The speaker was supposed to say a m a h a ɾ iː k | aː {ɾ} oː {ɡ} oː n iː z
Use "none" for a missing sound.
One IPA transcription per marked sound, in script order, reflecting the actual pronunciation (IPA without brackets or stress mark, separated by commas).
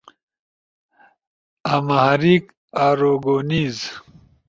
ɾ, ɡ